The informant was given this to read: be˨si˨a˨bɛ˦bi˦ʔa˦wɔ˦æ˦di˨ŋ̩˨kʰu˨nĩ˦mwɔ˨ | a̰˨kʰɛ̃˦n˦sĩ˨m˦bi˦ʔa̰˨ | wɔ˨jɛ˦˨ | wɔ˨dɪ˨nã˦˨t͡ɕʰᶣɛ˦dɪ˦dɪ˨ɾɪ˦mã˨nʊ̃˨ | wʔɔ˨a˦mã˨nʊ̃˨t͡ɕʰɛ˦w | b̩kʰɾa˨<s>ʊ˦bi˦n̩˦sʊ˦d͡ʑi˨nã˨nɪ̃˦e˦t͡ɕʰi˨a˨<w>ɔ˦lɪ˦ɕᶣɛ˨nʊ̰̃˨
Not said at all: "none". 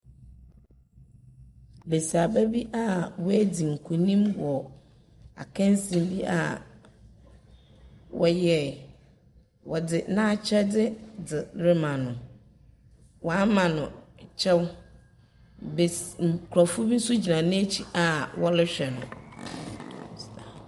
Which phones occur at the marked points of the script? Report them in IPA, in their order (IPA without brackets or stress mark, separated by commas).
f, w